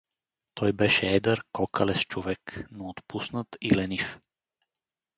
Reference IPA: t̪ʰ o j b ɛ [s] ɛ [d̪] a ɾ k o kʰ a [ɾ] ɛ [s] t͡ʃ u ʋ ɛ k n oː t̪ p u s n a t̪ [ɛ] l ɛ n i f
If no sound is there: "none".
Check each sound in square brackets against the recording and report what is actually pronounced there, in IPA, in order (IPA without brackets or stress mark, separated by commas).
ʃ, d̪, l, s, i